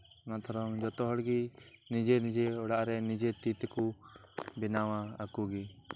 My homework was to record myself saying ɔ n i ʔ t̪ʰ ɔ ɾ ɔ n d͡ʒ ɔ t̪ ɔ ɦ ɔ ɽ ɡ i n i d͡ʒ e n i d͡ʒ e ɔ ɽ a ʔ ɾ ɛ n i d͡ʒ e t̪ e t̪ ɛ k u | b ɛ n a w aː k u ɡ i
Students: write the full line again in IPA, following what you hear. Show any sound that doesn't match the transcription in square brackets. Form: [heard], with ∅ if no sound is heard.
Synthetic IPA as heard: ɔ n [a] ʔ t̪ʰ ɔ ɾ ɔ [ŋ] d͡ʒ ɔ t̪ ɔ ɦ ɔ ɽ ɡ i n i d͡ʒ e n i d͡ʒ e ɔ ɽ a ʔ ɾ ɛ n i d͡ʒ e t̪ [i] t̪ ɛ k u | b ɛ n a w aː k u ɡ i